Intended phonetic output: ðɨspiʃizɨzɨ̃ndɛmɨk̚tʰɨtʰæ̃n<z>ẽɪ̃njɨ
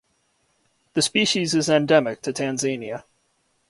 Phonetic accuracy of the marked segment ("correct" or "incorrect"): correct